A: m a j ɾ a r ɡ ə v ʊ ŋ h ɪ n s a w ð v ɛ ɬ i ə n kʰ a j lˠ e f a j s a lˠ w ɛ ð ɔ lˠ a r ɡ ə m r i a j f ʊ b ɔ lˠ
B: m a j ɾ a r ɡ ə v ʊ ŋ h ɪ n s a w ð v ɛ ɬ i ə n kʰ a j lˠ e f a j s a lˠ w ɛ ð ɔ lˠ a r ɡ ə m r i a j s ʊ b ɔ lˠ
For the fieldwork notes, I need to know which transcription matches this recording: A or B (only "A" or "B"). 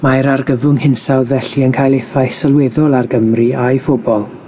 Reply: A